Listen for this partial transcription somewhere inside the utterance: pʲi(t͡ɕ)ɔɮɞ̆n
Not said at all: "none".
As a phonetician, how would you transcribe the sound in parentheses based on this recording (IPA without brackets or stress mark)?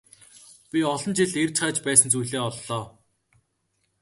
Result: none